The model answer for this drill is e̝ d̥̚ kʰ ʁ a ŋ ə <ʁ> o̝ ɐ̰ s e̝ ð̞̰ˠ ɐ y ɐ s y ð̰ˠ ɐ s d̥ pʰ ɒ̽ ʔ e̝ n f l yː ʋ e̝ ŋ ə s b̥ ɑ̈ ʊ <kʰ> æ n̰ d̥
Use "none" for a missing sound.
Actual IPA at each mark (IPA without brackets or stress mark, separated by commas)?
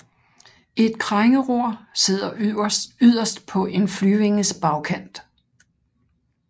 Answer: ʁ, kʰ